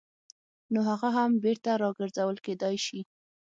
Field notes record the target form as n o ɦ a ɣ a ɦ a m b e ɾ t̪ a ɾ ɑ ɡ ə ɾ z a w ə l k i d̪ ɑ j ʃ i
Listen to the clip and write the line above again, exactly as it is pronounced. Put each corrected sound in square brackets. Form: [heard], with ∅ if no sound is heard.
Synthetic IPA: n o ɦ a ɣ a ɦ a m b e ɾ t̪ a ɾ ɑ ɡ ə ɾ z a w ə l k [e] d̪ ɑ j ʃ i